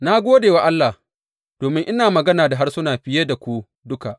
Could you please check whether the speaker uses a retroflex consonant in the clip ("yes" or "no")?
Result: no